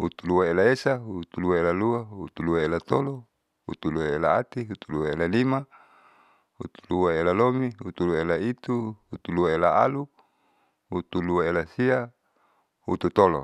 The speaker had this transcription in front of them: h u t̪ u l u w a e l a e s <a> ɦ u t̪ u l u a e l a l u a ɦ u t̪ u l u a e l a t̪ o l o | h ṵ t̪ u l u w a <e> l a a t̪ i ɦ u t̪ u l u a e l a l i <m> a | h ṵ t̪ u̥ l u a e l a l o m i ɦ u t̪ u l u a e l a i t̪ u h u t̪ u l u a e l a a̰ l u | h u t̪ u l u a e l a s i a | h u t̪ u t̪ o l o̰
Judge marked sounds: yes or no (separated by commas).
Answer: yes, yes, yes